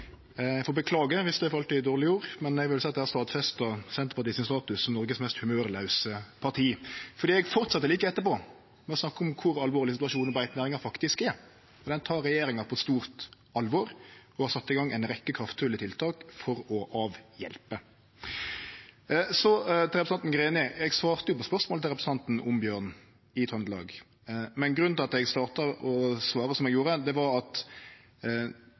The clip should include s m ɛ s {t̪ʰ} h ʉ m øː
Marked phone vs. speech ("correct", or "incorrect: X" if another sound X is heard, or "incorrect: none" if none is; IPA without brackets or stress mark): incorrect: t̪